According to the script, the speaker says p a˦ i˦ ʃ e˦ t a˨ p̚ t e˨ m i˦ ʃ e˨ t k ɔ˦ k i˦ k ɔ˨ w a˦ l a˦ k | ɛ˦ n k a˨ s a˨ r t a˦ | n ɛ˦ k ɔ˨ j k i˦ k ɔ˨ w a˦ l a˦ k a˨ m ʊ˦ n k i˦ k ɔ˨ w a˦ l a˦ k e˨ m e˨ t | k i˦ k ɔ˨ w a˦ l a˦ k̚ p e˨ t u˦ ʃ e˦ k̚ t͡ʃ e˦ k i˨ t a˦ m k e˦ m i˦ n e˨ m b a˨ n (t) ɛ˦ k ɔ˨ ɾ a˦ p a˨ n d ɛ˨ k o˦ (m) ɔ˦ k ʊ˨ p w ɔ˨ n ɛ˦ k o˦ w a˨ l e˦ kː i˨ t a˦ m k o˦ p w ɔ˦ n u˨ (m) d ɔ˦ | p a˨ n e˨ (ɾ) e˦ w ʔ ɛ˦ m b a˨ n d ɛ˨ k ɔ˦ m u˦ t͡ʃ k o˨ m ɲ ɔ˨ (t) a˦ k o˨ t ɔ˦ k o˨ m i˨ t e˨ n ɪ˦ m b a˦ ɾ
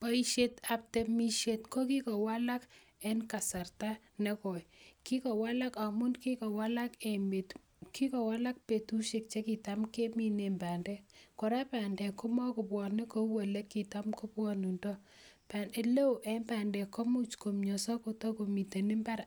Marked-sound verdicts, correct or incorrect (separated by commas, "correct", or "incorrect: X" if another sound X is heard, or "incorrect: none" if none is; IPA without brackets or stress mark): incorrect: d, correct, incorrect: n, incorrect: l, incorrect: s